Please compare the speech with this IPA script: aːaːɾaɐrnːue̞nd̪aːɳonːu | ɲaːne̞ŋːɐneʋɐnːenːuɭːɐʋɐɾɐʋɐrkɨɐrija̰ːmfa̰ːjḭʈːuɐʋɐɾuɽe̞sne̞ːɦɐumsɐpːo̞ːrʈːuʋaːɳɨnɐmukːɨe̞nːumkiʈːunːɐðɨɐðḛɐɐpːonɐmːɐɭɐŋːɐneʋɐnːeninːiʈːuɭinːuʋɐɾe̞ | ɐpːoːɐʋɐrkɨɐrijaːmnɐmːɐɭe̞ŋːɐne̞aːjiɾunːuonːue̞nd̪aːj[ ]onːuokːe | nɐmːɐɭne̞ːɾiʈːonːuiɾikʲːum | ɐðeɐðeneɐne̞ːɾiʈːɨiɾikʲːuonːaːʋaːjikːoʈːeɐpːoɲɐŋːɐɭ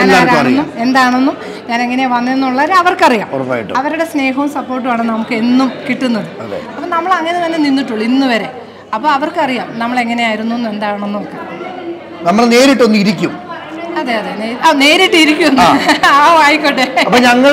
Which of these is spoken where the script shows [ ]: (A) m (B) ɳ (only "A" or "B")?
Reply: B